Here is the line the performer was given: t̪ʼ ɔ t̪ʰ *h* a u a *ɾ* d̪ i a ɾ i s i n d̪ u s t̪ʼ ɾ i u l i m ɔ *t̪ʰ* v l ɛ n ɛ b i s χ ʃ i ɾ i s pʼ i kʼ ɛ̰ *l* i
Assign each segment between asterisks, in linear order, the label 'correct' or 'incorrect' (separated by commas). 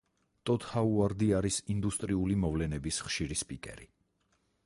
correct, correct, incorrect, incorrect